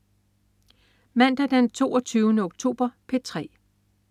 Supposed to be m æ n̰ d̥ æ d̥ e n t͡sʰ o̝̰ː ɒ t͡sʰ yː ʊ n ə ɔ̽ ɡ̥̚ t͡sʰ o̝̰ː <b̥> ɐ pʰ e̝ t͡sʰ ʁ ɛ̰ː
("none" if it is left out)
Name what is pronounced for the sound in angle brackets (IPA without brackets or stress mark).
b̥